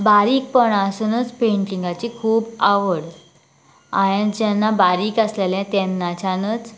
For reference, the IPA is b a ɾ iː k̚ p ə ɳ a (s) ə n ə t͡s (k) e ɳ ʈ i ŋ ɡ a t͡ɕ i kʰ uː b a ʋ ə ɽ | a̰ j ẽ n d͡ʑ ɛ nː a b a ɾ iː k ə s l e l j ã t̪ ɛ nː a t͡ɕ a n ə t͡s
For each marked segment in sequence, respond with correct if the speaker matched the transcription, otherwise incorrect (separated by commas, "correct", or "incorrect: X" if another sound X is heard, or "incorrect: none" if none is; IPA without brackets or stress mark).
correct, incorrect: p